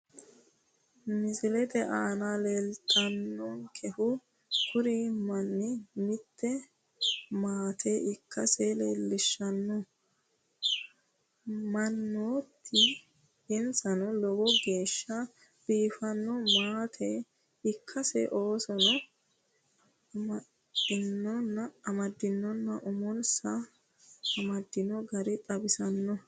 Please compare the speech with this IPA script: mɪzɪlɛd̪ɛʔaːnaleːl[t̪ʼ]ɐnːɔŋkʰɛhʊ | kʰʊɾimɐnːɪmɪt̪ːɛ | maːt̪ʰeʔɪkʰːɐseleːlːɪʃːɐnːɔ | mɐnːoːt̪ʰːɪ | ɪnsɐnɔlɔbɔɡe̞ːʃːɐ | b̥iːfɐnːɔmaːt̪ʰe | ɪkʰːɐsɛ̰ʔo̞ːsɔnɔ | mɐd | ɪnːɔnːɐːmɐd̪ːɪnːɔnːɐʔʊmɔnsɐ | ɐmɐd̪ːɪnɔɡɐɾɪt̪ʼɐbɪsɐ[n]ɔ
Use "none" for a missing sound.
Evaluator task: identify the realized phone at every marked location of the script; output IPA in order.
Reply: t̪ʼ, nː

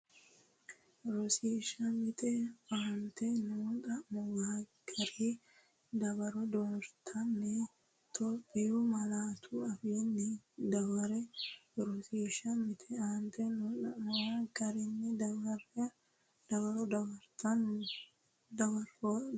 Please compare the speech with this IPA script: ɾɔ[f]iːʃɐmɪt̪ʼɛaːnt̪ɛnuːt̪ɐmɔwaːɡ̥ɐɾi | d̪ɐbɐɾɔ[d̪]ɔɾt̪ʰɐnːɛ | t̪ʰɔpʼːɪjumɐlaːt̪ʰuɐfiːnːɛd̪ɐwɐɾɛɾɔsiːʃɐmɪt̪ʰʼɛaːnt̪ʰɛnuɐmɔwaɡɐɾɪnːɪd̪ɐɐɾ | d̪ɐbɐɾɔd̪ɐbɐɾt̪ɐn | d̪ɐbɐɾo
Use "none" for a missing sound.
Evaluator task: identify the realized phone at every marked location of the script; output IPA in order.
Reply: s, d̪

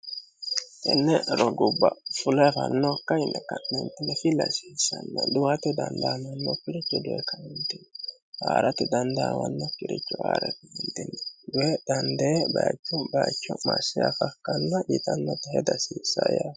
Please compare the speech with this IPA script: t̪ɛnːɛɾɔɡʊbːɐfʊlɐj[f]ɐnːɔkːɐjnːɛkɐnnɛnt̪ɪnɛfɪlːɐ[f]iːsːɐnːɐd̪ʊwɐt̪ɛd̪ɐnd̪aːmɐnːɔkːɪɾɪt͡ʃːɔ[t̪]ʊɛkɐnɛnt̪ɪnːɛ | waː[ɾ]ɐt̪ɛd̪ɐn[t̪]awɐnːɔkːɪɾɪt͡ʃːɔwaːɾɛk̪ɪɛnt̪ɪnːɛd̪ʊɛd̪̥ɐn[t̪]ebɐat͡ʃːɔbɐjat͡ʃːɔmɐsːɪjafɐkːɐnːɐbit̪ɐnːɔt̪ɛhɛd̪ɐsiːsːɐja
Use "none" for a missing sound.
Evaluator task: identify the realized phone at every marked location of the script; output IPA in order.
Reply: f, s, d̪, ɾ, d̪, d̪

